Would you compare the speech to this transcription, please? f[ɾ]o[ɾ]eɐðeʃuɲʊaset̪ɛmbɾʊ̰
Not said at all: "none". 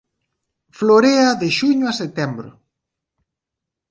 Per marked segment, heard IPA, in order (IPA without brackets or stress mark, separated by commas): l, ɾ